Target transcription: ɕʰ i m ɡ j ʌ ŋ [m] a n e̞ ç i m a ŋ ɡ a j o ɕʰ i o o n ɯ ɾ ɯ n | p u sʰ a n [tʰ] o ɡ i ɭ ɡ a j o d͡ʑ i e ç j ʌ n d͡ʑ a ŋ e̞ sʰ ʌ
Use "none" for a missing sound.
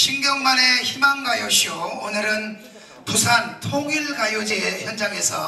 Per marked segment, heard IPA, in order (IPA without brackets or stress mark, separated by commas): m, tʰ